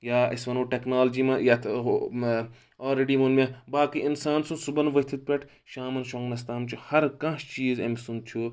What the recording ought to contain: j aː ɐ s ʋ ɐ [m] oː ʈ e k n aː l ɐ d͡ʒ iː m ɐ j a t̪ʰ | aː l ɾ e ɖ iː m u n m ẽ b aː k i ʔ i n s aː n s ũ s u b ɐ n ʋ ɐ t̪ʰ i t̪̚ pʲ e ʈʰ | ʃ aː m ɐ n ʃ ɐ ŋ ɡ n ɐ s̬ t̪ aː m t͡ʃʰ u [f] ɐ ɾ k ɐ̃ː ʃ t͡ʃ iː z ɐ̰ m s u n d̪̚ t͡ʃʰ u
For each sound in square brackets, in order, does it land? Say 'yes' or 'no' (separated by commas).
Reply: no, no